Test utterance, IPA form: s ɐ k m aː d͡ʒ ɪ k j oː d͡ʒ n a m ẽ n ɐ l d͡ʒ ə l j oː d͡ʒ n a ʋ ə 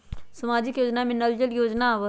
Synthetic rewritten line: s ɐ m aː d͡ʒ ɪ k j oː d͡ʒ n a m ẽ n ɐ l d͡ʒ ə l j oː d͡ʒ n a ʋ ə